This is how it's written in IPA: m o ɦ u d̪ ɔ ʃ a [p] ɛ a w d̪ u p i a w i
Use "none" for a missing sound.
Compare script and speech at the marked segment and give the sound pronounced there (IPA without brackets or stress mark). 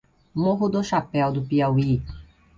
p